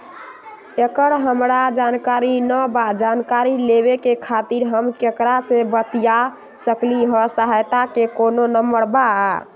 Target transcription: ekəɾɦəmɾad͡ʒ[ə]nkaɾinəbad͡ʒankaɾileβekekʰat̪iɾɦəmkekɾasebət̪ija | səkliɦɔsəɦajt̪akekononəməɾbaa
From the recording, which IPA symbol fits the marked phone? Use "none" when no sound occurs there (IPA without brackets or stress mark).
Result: a